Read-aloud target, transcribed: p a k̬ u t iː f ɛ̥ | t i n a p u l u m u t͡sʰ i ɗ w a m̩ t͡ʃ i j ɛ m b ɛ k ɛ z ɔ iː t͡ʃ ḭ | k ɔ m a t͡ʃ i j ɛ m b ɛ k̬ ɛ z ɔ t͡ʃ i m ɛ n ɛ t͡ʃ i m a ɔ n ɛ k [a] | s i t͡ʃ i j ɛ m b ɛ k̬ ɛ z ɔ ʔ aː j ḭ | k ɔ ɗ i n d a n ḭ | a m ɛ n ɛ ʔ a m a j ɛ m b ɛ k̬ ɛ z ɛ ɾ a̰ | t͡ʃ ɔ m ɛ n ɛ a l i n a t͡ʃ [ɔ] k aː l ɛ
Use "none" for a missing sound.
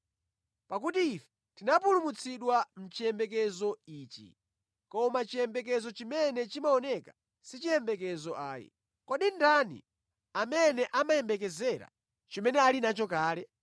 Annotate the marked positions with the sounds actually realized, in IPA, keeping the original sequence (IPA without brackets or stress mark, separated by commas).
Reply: a, ɔ